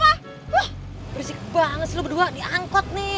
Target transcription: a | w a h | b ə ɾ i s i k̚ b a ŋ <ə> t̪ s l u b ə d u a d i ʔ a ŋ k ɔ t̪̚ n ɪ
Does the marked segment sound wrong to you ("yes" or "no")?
no